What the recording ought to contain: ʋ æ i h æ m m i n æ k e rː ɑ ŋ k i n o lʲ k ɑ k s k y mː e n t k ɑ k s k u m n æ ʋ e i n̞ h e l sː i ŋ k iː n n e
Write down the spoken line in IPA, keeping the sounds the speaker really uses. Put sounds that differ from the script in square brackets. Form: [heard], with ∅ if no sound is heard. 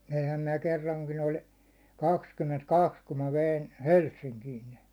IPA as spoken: ʋ [e] i h æ m m i n æ k e rː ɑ ŋ k i n o lʲ k ɑ k s k y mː e n t k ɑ k s k u m [m] æ ʋ e i n̞ h e l sː i ŋ k iː n n e